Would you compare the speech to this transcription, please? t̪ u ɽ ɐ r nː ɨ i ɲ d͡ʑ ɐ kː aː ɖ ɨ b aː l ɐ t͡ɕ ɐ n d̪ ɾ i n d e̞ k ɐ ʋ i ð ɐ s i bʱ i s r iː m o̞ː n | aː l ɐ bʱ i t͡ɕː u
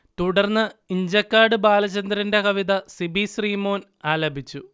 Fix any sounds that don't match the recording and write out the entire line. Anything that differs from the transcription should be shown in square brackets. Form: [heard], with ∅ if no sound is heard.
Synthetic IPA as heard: t̪ u ɽ ɐ r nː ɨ i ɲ d͡ʑ ɐ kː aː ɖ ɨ b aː l ɐ t͡ɕ ɐ n d̪ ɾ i n d e̞ k ɐ ʋ i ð ɐ s i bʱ i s r iː m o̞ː n | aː l ɐ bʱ i t͡ɕː u